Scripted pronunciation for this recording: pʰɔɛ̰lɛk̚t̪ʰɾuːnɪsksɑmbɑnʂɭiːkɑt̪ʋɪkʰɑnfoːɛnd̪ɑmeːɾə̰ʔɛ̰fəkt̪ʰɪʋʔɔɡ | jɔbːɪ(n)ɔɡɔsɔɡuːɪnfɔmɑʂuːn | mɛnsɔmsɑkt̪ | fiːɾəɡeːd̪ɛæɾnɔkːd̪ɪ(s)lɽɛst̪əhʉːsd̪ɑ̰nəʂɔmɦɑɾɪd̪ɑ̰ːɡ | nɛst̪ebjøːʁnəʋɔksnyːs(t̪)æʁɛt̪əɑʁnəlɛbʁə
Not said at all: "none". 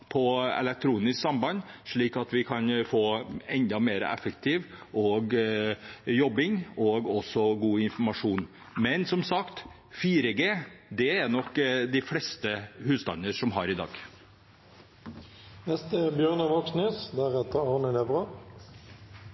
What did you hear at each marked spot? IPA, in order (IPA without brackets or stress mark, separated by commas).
ŋ, f, d̪